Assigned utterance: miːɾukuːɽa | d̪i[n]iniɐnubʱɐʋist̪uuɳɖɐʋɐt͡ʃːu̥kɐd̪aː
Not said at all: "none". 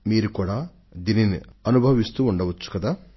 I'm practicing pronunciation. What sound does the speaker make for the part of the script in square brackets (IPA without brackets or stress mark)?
n